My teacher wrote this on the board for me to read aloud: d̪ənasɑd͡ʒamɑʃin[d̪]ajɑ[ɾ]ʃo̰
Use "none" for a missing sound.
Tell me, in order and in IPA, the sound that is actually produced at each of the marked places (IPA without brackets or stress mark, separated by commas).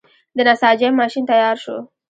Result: t̪, ɾ